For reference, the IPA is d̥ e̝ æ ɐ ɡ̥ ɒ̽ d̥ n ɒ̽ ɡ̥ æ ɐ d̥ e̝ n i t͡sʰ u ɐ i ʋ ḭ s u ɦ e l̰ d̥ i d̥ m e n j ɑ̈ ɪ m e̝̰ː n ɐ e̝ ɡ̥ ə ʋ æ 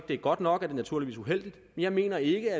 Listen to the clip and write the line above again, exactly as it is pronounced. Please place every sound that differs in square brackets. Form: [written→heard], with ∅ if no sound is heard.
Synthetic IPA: d̥ e̝ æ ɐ ɡ̥ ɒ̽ d̥ n ɒ̽ ɡ̥ æ ɐ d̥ e̝ n [i→æ] t͡sʰ u ɐ i ʋ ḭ s u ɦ e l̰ d̥ i d̥ m e n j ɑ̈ ɪ m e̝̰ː n ɐ e̝ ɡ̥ ə [ʋ→∅] æ